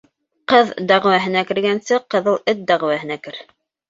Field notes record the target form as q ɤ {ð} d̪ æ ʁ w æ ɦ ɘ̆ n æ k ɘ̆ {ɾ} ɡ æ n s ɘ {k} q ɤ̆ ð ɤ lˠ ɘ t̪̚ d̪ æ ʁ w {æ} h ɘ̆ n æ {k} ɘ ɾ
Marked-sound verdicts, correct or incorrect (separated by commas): correct, correct, incorrect, correct, correct